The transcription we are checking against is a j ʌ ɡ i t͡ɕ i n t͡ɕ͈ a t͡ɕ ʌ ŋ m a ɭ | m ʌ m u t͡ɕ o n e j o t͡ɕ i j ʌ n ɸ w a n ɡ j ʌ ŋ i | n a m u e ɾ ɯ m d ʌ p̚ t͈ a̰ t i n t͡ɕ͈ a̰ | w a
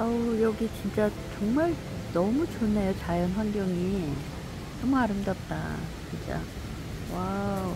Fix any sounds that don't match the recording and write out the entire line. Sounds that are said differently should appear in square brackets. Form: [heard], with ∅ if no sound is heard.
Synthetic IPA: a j ʌ ɡ i t͡ɕ i n t͡ɕ͈ a t͡ɕ ʌ ŋ m a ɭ | [n] ʌ m u t͡ɕ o n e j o t͡ɕ [a] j ʌ n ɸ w a n ɡ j ʌ ŋ i | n [ʌ] m u [a] ɾ ɯ m d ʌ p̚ t͈ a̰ [t͡ɕ] i n t͡ɕ͈ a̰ | w a